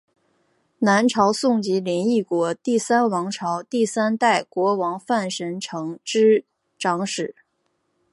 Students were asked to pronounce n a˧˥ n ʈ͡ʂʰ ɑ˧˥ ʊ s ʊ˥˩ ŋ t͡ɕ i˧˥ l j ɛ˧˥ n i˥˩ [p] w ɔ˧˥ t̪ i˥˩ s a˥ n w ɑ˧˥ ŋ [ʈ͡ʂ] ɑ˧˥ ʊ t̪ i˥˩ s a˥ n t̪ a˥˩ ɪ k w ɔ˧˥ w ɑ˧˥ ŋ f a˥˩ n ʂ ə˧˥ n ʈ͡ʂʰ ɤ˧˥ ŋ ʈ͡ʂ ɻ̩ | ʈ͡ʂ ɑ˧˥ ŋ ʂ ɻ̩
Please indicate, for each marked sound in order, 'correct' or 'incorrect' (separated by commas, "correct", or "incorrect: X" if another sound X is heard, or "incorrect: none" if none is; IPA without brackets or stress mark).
incorrect: k, incorrect: ʈ͡ʂʰ